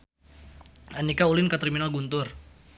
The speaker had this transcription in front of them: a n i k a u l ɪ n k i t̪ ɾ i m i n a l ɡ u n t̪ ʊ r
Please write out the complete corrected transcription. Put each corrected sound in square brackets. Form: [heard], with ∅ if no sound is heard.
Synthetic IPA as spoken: a n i k a u l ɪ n k [a] t̪ ɾ i m i n a l ɡ u n t̪ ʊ r